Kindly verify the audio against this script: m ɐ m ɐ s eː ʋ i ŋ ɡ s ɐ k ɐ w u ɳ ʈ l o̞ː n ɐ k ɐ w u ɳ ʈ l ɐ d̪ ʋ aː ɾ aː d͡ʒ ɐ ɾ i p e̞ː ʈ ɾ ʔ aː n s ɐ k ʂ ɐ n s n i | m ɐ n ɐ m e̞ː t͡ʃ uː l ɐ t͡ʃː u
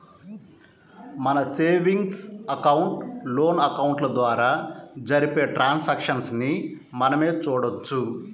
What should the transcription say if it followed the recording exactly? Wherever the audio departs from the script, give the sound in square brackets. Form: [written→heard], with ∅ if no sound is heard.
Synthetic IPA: m ɐ [m→n] ɐ s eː ʋ i ŋ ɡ s ɐ k ɐ w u ɳ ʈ l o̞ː n ɐ k ɐ w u ɳ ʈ l ɐ d̪ ʋ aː ɾ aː d͡ʒ ɐ ɾ i p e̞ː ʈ ɾ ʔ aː n s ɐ k ʂ ɐ n s n i | m ɐ n ɐ m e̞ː t͡ʃ uː [l→ɽ] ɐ t͡ʃː u